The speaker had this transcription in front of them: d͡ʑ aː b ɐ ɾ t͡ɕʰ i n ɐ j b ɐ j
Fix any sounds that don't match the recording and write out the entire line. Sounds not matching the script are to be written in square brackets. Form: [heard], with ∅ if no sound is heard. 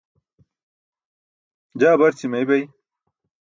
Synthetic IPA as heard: d͡ʑ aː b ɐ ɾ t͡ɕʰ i [m] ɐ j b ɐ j